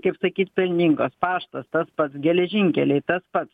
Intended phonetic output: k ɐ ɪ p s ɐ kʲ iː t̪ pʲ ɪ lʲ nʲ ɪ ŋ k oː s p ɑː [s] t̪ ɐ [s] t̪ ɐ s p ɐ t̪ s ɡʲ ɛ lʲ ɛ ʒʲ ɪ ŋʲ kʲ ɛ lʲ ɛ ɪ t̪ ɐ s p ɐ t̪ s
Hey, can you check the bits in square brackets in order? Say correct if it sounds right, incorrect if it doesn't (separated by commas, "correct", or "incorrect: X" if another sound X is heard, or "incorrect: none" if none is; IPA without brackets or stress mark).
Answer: incorrect: ʃ, correct